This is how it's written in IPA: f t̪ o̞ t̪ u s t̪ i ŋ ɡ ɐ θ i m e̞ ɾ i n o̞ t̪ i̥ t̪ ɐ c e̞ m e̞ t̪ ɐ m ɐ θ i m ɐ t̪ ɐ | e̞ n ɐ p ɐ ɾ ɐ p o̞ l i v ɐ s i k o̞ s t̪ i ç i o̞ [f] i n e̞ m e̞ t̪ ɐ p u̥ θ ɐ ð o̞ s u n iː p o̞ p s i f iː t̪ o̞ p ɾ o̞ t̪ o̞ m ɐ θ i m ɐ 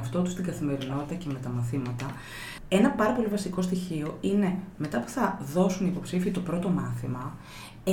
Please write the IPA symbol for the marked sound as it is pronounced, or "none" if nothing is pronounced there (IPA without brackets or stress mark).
none